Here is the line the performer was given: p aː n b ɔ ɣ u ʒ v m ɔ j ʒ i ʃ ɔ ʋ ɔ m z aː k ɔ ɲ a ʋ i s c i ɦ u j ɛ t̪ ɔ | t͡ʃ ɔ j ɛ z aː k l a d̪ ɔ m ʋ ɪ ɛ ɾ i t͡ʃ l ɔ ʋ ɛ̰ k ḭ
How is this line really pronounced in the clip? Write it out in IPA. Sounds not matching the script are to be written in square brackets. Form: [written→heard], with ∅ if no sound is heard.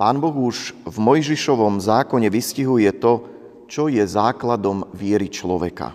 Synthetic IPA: p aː n b ɔ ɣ u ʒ v m ɔ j ʒ i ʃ ɔ ʋ ɔ m z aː k ɔ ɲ [a→ɛ] ʋ i s c i ɦ u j ɛ t̪ ɔ | t͡ʃ ɔ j ɛ z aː k l a d̪ ɔ m ʋ ɪ ɛ ɾ i t͡ʃ l ɔ ʋ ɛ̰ k [ḭ→a̰]